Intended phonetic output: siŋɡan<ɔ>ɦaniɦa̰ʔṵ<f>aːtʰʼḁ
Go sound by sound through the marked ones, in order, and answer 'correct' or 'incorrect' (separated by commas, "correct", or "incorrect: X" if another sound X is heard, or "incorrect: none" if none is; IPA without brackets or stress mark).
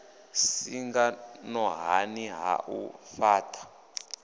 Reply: correct, correct